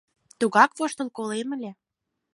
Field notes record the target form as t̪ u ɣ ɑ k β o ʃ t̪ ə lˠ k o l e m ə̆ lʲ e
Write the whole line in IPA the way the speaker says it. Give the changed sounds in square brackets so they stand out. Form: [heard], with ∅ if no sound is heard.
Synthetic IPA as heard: t̪ u ɣ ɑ k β o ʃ t̪ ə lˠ k o l e m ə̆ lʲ e